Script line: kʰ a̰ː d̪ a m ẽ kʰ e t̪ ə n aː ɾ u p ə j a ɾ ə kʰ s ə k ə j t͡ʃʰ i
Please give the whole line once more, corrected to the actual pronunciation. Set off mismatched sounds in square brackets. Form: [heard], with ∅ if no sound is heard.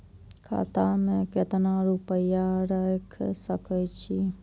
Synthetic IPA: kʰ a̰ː [t̪] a m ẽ [k] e t̪ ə n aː ɾ u p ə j a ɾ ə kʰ s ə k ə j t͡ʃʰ i